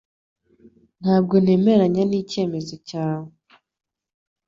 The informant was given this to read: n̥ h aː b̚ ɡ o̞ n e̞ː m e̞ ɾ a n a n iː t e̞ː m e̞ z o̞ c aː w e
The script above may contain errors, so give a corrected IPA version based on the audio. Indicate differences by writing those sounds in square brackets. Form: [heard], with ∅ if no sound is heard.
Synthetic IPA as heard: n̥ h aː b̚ ɡ o̞ n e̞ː m e̞ ɾ a [ɲ] a n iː [c] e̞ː m e̞ z o̞ c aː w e